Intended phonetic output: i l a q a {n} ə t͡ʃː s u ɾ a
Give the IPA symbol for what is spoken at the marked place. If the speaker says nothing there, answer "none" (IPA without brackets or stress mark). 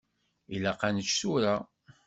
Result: n